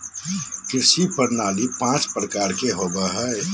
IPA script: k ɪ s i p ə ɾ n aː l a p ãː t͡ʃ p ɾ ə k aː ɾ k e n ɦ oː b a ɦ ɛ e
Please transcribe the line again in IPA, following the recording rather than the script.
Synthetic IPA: k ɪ s i p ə ɾ n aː l i p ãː t͡ʃ p ɾ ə k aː ɾ k e ɦ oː b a ɦ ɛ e

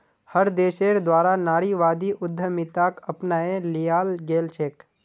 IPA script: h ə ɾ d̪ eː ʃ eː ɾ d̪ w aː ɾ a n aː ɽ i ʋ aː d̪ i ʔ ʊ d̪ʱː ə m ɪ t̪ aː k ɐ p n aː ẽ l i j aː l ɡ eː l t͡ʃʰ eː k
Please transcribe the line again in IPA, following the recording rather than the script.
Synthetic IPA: h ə ɾ d̪ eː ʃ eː ɾ d̪ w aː ɾ a n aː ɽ i ʋ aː d̪ i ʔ ʊ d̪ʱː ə m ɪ t̪ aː k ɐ p n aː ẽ l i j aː l ɡ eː l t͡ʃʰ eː k

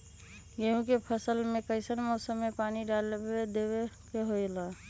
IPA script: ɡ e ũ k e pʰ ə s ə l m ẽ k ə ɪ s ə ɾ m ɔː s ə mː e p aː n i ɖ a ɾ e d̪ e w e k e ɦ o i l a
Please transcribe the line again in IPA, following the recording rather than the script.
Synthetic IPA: ɡ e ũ k e pʰ ə s ə l m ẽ k ə ɪ s ə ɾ m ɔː s ə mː e p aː n i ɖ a l e d̪ e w e k e ɦ o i l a

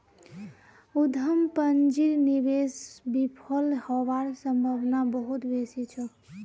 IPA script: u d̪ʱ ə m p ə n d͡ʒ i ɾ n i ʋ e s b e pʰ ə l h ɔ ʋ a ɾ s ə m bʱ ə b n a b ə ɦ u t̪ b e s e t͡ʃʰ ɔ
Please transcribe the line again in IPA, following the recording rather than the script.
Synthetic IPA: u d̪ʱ ə m p ə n d͡ʒ i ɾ n i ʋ e s b i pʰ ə l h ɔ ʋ a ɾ s ə m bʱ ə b n a b ə ɦ u t̪ b e s i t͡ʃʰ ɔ

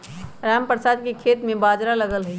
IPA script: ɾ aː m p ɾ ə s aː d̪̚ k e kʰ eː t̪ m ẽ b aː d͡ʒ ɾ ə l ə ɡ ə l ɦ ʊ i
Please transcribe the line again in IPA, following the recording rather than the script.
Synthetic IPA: ɾ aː m p ɾ ə s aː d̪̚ k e kʰ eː t̪ m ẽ b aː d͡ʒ ɾ a l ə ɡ ə l ɦ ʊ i

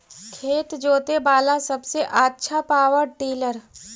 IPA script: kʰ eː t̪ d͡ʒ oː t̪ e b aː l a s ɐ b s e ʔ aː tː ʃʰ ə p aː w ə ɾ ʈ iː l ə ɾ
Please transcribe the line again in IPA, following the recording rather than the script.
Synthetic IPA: kʰ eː t̪ d͡ʒ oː t̪ e b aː l a s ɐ b s e ʔ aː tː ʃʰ a p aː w ə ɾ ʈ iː l ə ɾ

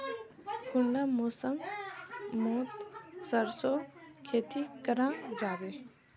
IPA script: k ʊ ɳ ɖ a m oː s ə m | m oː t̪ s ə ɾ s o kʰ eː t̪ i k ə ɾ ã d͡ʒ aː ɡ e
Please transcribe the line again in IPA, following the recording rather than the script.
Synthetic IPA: k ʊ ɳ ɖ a m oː s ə ŋ | m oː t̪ s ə ɾ s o kʰ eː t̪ i k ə ɾ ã d͡ʒ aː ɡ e

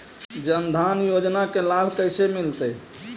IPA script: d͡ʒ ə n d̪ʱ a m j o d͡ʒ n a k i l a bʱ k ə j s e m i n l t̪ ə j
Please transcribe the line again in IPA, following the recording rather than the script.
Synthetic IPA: d͡ʒ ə n d̪ʱ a n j o d͡ʒ n a k e l a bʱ k ə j s e m i l t̪ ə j

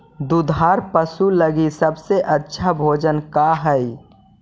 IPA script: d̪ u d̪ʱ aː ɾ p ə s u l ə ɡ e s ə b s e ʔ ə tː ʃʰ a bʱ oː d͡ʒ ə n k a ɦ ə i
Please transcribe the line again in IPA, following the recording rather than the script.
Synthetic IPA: d̪ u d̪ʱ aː ɾ p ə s u l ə ɡ i s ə b s e ʔ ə tː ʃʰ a bʱ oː d͡ʒ ə n k a ɦ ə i

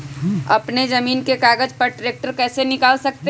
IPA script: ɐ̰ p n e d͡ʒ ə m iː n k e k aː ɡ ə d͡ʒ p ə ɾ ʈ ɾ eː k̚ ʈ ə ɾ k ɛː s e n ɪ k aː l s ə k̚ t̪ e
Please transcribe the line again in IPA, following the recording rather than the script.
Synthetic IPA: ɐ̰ p n e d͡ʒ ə m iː n k e k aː ɡ ə d͡ʒ p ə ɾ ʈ ɾ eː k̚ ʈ ə ɾ k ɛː s e n ɪ k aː l s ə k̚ t̪ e

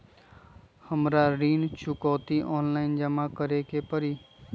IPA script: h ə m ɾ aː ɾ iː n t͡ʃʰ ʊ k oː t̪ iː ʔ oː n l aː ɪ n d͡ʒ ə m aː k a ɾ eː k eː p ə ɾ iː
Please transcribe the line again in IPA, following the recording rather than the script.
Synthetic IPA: h ə m ɾ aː ɾ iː n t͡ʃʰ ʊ k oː t̪ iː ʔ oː n l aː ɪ n d͡ʒ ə m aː k ə ɾ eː k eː p ə ɾ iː

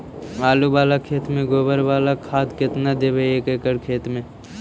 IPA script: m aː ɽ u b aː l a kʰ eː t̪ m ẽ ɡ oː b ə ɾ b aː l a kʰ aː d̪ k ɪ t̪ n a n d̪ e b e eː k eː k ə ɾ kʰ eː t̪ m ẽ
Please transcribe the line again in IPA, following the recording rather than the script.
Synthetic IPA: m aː l u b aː l a kʰ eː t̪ m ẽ ɡ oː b ə ɾ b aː l a kʰ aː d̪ k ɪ t̪ n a d̪ e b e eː k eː k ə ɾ kʰ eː t̪ m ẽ

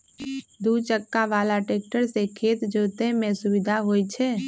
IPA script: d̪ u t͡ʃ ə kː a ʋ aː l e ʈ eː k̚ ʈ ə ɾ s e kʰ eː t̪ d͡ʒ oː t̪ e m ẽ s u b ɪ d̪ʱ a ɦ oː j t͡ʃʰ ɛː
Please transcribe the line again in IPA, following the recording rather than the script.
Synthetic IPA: d̪ u t͡ʃ ə kː a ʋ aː l a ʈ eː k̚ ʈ ə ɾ s e kʰ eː t̪ d͡ʒ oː t̪ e m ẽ s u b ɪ d̪ʱ a ɦ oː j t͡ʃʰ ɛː

